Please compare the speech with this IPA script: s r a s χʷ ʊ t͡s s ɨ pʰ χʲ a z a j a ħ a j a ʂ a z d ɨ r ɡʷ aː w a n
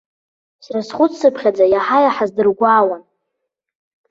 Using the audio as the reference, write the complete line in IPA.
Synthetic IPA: s r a s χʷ ʊ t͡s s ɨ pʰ χʲ a d͡z a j a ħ a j a ħ a z d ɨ r ɡʷ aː w a n

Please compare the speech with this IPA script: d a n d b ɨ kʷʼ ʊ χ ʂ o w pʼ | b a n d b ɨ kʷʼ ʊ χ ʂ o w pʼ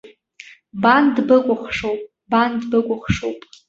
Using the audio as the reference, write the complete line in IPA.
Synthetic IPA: b a n d b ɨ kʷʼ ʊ χ ʂ o w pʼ | b a n d b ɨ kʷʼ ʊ χ ʂ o w pʼ

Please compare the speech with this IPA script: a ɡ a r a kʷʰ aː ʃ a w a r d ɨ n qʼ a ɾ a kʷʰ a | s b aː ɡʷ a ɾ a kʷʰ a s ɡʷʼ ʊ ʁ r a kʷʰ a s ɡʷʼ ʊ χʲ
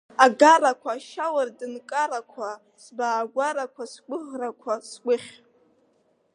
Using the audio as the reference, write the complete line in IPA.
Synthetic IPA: a ɡ a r a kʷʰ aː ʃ a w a r d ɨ n kʼ a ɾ a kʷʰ a | s b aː ɡʷ a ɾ a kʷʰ a s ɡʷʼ ʊ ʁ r a kʷʰ a s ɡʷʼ ʊ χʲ

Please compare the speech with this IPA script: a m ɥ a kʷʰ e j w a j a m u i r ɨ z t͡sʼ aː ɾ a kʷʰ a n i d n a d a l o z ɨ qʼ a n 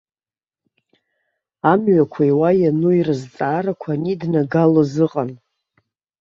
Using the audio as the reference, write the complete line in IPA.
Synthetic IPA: a m ɥ a kʷʰ a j w a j a n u i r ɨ z t͡sʼ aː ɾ a kʷʰ a n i d n a ɡ a l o z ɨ qʼ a n

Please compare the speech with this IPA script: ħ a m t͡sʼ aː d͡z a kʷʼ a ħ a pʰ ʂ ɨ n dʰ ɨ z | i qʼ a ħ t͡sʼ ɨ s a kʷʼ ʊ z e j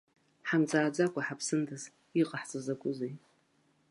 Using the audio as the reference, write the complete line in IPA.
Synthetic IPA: ħ a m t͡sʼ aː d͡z a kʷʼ a ħ a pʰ s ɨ n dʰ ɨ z | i qʼ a ħ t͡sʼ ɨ z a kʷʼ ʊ z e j

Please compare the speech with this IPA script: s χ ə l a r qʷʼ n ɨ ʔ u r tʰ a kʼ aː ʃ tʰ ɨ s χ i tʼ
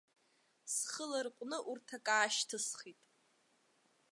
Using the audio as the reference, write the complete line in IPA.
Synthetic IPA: s χ ə l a r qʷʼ n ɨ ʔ u r tʰ a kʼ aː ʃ tʰ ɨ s χ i tʼ

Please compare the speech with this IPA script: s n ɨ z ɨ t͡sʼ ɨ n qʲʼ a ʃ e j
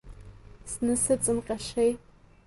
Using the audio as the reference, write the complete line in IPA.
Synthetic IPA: s n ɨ s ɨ t͡sʼ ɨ m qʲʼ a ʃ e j

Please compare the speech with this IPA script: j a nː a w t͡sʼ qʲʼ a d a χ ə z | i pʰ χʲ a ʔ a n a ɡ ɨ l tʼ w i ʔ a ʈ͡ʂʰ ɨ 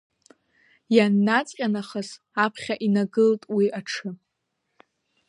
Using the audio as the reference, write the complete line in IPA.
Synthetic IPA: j a nː a t͡sʼ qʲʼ a n a χ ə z | a pʰ χʲ a ʔ i n a ɡ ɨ l tʼ w i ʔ a ʈ͡ʂʰ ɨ

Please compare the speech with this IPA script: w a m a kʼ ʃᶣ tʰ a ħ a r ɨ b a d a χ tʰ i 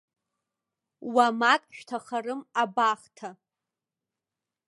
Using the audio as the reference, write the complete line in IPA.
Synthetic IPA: w a m a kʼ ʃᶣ tʰ a χ a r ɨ m a b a χ tʰ a

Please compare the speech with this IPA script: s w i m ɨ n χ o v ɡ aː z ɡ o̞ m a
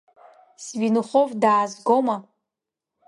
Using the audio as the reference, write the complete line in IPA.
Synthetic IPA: s v i n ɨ χ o v d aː z ɡ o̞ m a

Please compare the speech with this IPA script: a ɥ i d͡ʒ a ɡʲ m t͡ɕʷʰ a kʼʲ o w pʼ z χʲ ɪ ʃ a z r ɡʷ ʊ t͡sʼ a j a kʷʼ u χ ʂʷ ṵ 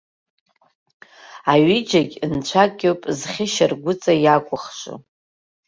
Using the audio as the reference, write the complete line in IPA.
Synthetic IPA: a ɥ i d͡ʒ a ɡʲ n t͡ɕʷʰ a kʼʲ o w pʼ z χʲ ɪ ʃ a r ɡʷ ʊ t͡sʼ a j a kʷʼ ʊ χ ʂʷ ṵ

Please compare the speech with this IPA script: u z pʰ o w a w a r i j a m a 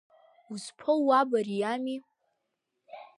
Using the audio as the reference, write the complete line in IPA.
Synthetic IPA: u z pʰ o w a b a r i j a m i

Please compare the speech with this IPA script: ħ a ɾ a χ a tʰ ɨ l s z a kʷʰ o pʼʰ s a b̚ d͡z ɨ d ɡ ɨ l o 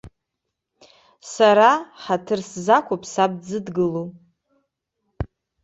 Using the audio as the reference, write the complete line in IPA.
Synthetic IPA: s a ɾ a ħ a tʰ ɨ r s z a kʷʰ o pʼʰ s a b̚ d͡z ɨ d ɡ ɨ l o

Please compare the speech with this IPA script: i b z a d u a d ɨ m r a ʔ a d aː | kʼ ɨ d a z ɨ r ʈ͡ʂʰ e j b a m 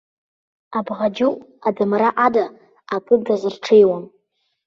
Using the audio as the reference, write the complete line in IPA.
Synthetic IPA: a b ʁ a d͡ʒ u a d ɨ m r a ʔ a d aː | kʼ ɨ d a z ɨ r ʈ͡ʂʰ e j w a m

